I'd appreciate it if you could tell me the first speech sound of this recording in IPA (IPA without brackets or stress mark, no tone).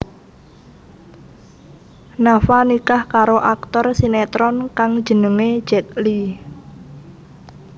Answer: n